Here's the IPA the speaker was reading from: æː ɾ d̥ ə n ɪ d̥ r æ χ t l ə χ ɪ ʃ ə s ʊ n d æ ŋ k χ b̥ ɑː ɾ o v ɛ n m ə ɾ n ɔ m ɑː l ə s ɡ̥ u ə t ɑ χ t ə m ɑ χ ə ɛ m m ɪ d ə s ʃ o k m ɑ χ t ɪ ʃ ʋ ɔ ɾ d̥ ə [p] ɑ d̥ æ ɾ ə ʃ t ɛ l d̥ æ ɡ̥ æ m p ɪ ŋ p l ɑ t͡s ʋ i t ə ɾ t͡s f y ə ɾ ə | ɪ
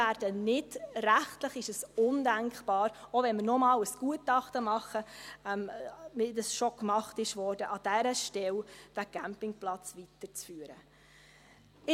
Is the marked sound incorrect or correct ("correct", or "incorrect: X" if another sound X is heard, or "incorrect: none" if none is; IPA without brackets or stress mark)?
incorrect: ʔ